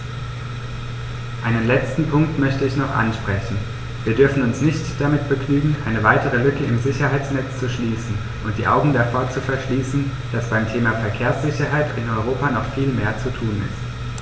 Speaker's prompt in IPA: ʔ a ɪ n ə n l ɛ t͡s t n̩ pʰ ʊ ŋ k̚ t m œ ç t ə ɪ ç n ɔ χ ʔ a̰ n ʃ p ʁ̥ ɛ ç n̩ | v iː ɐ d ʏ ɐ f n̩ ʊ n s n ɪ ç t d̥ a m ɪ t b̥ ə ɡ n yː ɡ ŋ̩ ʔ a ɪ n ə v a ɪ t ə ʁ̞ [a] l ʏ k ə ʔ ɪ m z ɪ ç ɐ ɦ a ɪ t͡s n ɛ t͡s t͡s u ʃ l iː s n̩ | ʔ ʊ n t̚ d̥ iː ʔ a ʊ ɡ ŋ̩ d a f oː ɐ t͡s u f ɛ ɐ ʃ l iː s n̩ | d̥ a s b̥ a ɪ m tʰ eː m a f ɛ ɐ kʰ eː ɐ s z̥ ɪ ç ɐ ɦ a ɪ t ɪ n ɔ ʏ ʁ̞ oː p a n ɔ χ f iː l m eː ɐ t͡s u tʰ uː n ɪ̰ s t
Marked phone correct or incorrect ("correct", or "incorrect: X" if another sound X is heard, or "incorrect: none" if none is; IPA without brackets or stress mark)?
incorrect: ə